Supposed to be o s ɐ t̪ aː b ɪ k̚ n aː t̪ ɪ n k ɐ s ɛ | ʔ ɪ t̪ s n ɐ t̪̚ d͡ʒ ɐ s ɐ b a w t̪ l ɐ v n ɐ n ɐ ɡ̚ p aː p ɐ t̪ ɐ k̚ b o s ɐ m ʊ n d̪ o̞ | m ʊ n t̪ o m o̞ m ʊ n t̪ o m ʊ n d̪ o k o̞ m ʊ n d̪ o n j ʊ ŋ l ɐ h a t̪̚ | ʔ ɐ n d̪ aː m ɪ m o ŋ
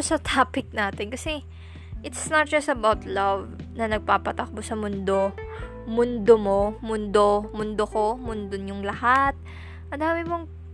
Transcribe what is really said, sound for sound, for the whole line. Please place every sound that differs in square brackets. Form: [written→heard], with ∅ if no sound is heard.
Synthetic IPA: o s ɐ t̪ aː [b→p] ɪ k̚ n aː t̪ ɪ n k ɐ s ɛ | ʔ ɪ t̪ s n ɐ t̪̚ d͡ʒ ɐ s ɐ b a w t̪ l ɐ v n ɐ n ɐ ɡ̚ p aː p ɐ t̪ ɐ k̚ b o s ɐ m ʊ n d̪ o̞ | m ʊ n [t̪→d̪] o m o̞ m ʊ n [t̪→d̪] o m ʊ n d̪ o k o̞ m ʊ n d̪ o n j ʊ ŋ l ɐ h a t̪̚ | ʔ ɐ n d̪ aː m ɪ m o ŋ